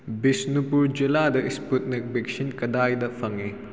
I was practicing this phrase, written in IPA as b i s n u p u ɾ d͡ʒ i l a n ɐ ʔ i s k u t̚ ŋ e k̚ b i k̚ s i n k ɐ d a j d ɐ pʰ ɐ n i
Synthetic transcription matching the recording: b i s n u p u ɾ d͡ʒ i l a d ɐ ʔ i s p u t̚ n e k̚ b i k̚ s i n k ɐ d a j d ɐ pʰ ɐ ŋ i